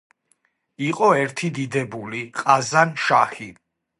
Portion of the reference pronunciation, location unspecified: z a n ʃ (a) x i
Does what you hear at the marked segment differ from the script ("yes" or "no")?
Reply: no